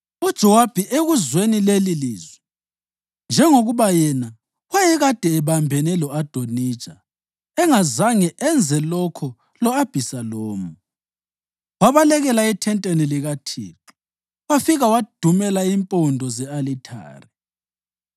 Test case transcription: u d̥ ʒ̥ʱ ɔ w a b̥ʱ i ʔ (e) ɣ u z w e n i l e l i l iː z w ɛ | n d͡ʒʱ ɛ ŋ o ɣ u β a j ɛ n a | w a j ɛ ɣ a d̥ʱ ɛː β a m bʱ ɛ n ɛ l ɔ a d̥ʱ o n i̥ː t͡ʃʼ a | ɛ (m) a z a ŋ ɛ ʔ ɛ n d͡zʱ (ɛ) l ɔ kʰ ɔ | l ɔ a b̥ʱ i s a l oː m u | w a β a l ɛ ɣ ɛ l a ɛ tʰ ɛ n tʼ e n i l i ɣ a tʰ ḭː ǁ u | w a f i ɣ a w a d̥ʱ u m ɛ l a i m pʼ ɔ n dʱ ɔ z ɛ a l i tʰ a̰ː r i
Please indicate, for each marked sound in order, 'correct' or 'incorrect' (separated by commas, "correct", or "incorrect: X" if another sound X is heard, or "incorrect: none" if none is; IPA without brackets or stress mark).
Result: correct, incorrect: ŋ, correct